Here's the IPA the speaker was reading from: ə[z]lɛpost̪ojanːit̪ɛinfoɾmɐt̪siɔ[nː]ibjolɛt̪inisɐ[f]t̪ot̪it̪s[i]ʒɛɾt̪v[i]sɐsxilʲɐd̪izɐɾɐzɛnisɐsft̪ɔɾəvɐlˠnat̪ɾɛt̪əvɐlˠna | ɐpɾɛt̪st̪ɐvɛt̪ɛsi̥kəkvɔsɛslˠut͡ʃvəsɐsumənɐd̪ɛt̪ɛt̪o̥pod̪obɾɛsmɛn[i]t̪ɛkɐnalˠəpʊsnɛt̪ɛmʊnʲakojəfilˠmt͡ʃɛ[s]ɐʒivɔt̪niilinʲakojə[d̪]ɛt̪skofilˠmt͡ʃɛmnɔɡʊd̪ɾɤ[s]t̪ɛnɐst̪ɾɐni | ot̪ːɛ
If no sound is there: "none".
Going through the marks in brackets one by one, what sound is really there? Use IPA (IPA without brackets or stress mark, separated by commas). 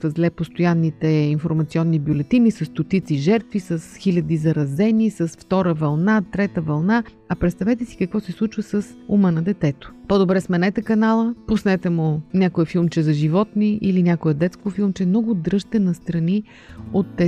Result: z, nː, s, i, i, ɛ, z, d̪, ʃ